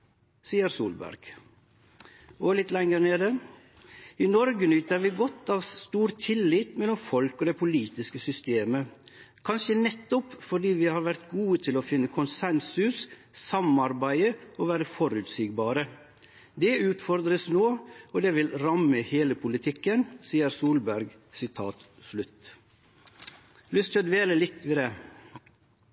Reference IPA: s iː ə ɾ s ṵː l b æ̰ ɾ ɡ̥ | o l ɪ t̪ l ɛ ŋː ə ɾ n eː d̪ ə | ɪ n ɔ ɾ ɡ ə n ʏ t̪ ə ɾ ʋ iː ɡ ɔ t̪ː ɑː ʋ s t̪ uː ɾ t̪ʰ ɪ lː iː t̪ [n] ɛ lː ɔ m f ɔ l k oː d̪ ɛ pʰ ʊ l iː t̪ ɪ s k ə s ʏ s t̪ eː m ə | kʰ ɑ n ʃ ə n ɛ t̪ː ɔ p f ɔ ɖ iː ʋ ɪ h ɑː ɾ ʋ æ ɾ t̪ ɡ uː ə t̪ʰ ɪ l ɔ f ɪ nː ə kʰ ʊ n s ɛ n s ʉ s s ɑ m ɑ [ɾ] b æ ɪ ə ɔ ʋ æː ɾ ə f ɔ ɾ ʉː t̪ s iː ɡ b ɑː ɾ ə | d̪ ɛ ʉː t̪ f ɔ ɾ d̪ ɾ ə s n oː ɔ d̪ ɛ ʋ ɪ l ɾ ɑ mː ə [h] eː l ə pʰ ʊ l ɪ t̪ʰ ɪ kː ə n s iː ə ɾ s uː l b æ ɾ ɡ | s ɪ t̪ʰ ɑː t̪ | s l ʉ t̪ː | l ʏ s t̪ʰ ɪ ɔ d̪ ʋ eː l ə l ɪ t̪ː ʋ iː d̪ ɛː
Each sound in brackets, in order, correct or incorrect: incorrect: m, correct, correct

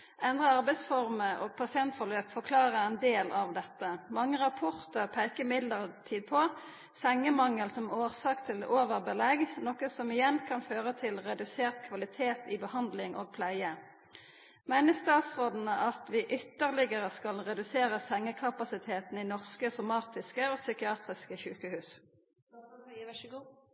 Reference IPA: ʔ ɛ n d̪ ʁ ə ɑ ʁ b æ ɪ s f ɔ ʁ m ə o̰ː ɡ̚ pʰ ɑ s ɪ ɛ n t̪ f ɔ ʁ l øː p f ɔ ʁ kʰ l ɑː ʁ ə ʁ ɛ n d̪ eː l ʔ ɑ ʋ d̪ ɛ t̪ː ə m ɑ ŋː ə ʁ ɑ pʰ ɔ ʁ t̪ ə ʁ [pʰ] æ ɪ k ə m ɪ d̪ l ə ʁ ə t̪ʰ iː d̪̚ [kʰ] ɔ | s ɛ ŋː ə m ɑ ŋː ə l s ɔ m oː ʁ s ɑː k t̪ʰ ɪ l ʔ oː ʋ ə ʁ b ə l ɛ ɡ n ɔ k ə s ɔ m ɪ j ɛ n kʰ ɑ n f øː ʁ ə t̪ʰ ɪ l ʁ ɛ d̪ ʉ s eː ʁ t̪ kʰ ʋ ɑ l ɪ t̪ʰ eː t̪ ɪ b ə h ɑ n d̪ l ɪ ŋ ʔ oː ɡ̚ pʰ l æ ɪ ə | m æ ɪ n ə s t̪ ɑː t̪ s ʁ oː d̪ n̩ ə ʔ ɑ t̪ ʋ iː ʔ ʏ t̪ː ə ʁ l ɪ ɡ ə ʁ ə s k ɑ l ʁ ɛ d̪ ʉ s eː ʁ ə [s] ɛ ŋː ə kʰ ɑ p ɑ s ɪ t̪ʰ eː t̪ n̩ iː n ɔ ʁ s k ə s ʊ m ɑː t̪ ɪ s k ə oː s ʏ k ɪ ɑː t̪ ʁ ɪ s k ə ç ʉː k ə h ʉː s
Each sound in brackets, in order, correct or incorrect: correct, incorrect: pʰ, correct

